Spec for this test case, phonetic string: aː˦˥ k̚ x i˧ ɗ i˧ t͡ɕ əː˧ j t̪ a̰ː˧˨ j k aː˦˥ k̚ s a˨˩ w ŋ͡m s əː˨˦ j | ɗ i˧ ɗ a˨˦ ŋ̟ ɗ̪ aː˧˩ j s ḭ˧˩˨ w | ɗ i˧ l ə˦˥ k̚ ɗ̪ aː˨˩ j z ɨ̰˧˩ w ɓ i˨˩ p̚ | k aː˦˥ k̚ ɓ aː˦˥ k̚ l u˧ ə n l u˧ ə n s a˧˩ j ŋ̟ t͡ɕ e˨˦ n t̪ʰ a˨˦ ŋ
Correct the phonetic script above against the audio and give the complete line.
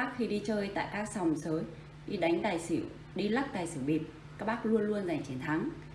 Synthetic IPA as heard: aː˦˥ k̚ x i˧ ɗ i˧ t͡ɕ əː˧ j t̪ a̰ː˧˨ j k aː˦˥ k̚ s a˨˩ w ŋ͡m s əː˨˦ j | ɗ i˧ ɗ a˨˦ ŋ̟ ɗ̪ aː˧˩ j s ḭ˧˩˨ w | ɗ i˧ l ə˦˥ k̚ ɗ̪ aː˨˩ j s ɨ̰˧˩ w ɓ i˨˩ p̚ | k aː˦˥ k̚ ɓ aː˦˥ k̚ l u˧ ə n l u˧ ə n z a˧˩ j ŋ̟ t͡ɕ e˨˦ n t̪ʰ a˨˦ ŋ